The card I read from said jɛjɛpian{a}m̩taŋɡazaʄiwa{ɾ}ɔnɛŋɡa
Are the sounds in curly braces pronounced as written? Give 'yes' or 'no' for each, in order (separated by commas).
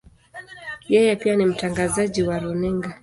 no, yes